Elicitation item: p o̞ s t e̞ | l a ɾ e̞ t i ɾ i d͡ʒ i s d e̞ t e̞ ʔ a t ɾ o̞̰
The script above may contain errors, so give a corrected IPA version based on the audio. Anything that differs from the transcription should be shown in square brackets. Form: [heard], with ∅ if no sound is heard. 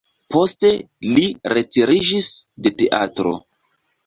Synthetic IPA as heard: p o̞ s t e̞ | l [i] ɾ e̞ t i ɾ i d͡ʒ i s d e̞ t e̞ ʔ a t ɾ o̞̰